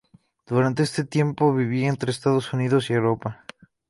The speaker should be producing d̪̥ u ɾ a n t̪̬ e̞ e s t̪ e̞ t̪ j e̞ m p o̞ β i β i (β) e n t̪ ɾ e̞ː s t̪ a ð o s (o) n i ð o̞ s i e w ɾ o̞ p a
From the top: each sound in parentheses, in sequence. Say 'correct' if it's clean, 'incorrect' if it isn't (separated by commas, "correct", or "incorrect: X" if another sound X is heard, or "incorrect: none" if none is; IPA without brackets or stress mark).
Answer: incorrect: none, incorrect: u